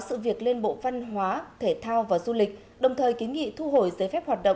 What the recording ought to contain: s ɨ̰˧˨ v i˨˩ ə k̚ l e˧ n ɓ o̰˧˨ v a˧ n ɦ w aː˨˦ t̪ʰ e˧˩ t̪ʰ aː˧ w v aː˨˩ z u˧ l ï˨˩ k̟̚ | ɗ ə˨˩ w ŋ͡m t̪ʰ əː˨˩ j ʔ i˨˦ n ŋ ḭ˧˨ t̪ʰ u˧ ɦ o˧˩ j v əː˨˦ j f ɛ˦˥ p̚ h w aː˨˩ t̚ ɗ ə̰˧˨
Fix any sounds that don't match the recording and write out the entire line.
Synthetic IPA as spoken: s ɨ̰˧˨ v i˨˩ ə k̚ l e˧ n ɓ o̰˧˨ v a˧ n ɦ w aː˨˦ t̪ʰ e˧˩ t̪ʰ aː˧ w v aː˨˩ z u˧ l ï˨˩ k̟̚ | ɗ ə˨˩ w ŋ͡m t̪ʰ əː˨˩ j k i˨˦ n ŋ ḭ˧˨ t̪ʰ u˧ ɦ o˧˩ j z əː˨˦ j f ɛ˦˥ p̚ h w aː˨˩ t̚ ɗ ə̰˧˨